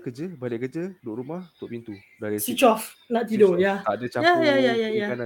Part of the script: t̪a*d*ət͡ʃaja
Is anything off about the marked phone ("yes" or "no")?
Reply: no